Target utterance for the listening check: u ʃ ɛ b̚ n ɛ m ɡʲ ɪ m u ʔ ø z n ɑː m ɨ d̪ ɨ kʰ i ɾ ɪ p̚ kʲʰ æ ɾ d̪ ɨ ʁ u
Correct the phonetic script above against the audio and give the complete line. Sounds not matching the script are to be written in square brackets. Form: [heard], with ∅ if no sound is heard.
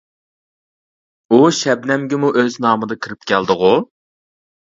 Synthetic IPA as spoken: u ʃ ɛ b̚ n ɛ m ɡʲ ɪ m u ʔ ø z n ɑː m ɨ d̪ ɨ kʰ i ɾ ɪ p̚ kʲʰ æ [l] d̪ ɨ ʁ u